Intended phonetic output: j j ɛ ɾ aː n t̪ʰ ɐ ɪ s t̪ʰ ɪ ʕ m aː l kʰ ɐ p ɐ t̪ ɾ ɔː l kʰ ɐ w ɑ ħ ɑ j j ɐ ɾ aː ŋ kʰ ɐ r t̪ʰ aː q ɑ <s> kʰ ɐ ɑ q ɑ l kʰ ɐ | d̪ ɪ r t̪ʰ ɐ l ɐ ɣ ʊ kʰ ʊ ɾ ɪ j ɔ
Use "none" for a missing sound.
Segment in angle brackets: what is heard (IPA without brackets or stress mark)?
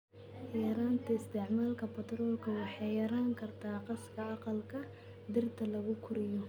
s